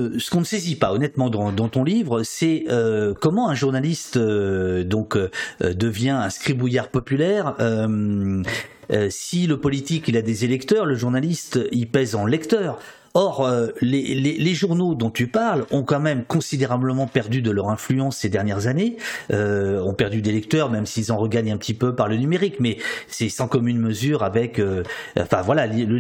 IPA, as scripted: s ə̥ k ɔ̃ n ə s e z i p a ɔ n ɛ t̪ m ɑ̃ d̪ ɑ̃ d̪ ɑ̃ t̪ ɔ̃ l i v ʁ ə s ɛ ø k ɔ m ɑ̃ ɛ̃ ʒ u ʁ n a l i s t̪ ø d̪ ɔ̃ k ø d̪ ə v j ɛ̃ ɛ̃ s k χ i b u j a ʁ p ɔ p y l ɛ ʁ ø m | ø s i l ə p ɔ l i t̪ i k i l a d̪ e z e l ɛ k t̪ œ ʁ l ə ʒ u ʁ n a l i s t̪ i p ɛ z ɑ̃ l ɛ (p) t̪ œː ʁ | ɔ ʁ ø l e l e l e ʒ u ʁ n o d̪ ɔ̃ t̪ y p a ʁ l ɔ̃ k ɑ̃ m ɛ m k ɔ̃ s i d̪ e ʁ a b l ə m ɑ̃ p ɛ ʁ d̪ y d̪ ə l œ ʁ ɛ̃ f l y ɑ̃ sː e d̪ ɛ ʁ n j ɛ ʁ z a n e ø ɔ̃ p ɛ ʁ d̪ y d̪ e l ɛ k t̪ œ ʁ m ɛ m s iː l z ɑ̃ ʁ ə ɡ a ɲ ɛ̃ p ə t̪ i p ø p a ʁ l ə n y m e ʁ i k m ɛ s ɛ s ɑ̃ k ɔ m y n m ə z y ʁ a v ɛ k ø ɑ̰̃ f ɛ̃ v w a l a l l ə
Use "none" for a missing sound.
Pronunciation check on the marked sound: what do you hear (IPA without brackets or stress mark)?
k